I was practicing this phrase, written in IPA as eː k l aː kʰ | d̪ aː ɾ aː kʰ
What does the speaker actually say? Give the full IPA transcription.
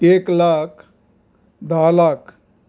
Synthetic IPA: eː k l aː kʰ | d̪ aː l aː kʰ